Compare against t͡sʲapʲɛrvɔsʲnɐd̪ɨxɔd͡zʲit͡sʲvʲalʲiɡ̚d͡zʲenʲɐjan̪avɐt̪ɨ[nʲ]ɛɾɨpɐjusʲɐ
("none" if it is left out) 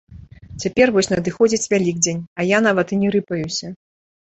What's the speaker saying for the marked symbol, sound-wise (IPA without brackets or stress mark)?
nʲ